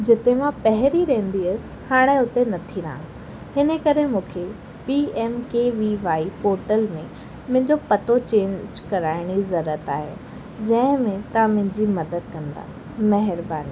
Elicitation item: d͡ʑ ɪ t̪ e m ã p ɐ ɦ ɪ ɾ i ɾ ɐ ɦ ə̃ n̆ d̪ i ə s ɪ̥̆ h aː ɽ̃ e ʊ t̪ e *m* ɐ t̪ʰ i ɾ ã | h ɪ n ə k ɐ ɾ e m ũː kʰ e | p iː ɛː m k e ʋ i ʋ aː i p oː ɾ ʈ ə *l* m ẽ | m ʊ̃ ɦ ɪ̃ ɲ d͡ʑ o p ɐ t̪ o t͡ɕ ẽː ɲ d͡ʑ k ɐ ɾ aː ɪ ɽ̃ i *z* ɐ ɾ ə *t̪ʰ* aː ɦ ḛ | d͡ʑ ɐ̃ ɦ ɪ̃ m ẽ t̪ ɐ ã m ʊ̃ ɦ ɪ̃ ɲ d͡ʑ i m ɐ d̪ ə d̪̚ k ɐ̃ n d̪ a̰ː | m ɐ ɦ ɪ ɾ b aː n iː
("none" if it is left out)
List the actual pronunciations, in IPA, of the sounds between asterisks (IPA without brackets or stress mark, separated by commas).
n, l, z, t̪